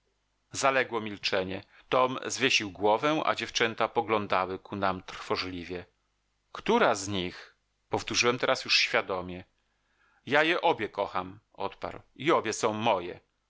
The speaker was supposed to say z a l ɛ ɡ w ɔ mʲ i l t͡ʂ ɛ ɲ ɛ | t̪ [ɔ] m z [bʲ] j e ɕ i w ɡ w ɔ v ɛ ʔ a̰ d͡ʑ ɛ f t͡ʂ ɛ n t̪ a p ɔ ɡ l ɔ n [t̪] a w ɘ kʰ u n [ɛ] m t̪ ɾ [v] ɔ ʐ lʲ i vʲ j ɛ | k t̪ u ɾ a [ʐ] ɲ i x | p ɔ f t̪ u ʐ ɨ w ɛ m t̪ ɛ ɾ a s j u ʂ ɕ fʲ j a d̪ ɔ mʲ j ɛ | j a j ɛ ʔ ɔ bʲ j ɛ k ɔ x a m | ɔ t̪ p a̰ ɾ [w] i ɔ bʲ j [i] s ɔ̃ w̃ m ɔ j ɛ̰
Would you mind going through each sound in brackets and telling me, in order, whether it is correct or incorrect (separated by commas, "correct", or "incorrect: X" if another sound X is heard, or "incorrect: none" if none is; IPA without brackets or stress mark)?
correct, incorrect: vʲ, incorrect: d̪, incorrect: a, incorrect: f, incorrect: z, correct, incorrect: ɛ